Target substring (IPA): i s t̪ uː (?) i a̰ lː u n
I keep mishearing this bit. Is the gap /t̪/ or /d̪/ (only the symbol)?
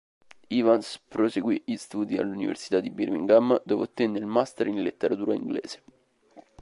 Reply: d̪